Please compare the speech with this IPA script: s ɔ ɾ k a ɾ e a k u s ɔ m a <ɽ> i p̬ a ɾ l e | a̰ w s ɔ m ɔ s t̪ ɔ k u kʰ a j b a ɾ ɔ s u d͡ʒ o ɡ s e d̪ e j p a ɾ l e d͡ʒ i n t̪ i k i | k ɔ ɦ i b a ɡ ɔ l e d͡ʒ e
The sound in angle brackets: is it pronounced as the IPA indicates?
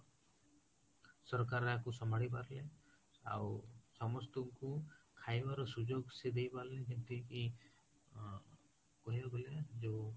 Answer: yes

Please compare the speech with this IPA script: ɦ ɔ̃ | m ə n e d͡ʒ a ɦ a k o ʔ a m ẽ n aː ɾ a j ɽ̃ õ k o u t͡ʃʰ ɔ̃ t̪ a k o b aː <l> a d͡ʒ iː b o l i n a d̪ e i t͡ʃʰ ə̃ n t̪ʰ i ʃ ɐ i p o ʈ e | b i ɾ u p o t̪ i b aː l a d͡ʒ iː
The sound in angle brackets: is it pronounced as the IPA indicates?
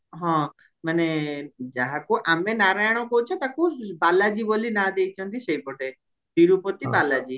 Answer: yes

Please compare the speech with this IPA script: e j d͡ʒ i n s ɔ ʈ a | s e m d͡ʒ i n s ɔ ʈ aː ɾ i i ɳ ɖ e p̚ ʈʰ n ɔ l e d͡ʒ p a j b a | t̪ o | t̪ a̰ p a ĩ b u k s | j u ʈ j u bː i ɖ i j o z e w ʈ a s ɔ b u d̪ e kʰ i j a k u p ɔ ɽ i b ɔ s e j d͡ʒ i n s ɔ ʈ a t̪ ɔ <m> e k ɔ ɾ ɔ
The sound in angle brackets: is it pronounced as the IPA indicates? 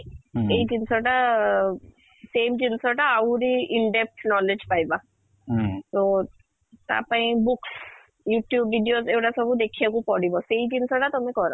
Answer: yes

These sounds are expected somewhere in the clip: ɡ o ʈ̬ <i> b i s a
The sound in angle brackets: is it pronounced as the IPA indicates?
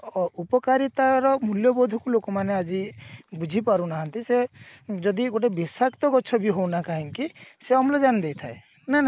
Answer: no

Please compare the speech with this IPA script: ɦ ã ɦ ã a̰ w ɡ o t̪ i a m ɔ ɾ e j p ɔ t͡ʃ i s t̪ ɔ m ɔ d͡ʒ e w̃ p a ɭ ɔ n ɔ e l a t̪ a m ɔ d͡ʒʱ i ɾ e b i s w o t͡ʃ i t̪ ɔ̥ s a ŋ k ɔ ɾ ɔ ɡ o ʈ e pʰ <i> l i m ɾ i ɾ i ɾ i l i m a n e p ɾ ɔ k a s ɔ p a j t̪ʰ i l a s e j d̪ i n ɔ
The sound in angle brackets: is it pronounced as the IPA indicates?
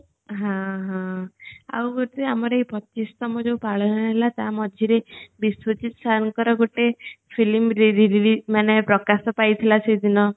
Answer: yes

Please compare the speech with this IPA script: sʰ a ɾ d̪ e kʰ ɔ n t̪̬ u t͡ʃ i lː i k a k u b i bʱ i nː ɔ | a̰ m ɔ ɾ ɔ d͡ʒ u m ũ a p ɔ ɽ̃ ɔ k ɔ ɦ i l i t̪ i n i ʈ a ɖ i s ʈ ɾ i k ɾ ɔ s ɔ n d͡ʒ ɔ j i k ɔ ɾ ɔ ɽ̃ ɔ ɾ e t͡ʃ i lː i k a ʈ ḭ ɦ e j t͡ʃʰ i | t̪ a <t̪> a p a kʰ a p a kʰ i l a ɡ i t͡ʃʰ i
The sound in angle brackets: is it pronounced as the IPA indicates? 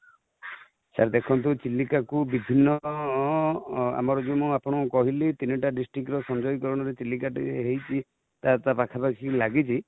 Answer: yes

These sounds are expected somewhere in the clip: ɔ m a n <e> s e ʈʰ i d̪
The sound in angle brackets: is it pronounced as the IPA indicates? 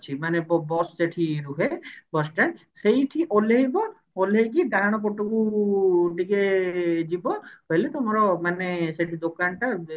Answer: yes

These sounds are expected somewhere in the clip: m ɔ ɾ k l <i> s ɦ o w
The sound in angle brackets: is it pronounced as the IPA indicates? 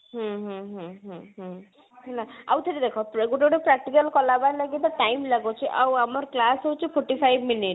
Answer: no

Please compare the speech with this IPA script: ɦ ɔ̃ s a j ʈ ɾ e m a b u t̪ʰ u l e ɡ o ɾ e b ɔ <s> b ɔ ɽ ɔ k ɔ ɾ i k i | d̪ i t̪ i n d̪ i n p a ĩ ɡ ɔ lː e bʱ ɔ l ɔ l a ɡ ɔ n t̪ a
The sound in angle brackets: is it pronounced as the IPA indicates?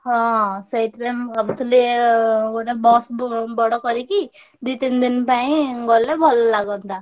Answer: yes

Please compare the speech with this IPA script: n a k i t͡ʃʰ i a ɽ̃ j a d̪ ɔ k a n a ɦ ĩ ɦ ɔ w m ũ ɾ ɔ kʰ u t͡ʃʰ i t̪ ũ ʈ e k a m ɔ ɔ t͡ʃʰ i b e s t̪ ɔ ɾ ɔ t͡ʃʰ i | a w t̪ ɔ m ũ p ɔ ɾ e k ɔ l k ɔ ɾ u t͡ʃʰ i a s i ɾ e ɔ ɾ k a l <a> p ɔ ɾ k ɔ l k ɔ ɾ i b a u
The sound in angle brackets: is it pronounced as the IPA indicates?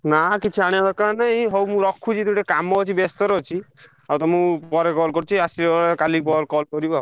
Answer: no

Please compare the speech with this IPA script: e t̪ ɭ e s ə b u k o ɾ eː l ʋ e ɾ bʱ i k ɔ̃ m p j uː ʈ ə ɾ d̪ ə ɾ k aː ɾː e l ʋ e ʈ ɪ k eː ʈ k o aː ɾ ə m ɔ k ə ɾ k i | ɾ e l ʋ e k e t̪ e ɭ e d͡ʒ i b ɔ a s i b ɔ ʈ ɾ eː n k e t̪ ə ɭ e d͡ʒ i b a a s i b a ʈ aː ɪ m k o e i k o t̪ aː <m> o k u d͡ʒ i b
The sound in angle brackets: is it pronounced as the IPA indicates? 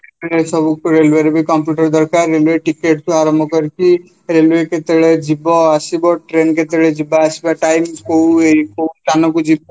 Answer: no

